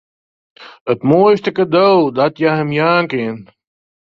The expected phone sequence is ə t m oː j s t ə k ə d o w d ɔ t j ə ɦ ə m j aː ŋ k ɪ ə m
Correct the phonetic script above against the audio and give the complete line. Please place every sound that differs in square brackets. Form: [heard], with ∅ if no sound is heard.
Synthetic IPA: ə t m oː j s t ə k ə d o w d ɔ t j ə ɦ ə m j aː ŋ k ɪ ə [n]